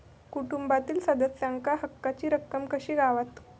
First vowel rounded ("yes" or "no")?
yes